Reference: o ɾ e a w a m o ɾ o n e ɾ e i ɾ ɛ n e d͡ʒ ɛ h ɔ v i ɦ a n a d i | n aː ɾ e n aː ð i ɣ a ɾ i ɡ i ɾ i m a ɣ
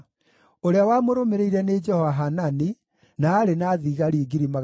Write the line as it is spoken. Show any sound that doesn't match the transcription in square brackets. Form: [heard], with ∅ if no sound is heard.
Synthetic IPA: o ɾ e a w a m o ɾ o [m] e ɾ e i ɾ ɛ n e d͡ʒ ɛ h ɔ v [a] ɦ a n a [n] i | n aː ɾ e n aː ð i ɣ a ɾ i ɡ i ɾ i m a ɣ

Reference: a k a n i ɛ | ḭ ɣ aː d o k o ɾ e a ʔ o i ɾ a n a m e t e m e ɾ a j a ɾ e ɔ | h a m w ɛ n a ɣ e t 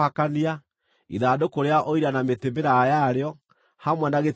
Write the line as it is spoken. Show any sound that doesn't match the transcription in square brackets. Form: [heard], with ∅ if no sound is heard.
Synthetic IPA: a k a n i [a] | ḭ [ð] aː d o k o ɾ e a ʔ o i ɾ a n a m e t e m e ɾ a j a ɾ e ɔ | h a m w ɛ n a ɣ e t

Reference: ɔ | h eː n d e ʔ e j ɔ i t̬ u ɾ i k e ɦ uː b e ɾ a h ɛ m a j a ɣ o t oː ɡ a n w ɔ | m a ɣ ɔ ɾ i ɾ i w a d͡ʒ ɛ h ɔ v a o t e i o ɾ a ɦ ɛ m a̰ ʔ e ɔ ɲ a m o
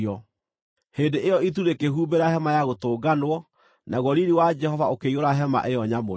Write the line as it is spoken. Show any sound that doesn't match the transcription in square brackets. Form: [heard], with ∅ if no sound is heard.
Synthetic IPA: ɔ | h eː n d e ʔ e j ɔ i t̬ u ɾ [e] k e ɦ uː b e ɾ a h ɛ m a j a ɣ o t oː ɡ a n w ɔ | [n] a ɣ ɔ ɾ i ɾ i w a d͡ʒ ɛ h ɔ v a o [k] e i o ɾ a ɦ ɛ m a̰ ʔ e ɔ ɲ a m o

